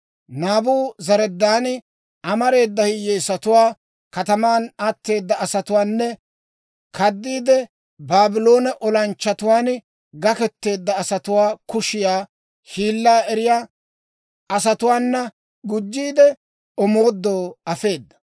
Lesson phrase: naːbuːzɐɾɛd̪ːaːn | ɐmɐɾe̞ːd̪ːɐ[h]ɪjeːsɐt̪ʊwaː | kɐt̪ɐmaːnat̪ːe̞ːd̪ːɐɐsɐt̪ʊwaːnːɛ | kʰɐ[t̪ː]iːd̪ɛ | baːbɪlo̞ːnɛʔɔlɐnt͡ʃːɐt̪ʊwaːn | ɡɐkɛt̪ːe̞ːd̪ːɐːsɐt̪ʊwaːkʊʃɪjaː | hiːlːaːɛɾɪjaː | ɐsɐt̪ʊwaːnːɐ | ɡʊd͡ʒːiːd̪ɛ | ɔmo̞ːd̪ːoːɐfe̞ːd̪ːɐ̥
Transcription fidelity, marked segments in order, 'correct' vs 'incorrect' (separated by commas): correct, incorrect